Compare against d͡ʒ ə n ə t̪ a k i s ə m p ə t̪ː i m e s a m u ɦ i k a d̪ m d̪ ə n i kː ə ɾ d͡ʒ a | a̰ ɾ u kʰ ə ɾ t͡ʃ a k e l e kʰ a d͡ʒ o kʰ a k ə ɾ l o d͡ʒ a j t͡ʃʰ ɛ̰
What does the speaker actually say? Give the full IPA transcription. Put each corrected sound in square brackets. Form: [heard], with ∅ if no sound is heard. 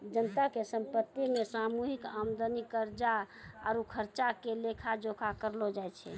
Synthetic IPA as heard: d͡ʒ ə n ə t̪ a k [e] s ə m p ə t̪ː i m e s a m u ɦ i k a [∅] m d̪ ə n i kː ə ɾ d͡ʒ a | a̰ ɾ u kʰ ə ɾ t͡ʃ a k e l e kʰ a d͡ʒ o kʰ a k ə ɾ l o d͡ʒ a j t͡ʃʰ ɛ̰